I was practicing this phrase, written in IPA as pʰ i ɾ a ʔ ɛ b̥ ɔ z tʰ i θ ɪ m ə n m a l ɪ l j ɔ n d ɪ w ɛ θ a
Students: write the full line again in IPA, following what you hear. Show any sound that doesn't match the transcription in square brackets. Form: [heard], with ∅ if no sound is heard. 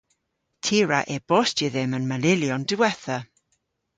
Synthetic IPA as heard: [tʰ] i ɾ a ʔ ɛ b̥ ɔ [s] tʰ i [ð] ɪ m ə n m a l ɪ l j ɔ n d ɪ w ɛ θ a